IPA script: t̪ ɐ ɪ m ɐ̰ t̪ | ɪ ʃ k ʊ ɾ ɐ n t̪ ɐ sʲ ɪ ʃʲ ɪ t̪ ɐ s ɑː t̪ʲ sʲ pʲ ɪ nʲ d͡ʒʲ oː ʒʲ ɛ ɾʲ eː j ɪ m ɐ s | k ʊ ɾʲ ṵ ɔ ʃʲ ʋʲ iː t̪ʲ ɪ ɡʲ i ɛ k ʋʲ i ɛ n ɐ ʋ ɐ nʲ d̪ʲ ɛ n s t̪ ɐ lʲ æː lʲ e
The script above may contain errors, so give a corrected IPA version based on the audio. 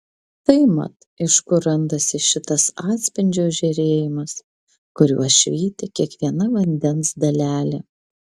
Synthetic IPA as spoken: t̪ ɐ ɪ m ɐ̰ t̪ | ɪ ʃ k ʊ ɾ ɐ n d̪ ɐ sʲ ɪ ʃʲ ɪ t̪ ɐ s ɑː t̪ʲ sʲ pʲ ɪ nʲ d͡ʒʲ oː ʒʲ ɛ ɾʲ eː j ɪ m ɐ s | k ʊ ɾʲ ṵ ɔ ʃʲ ʋʲ iː t̪ʲ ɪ kʲ i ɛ k ʋʲ i ɛ n ɐ ʋ ɐ nʲ d̪ʲ ɛ n s d̪ ɐ lʲ æː lʲ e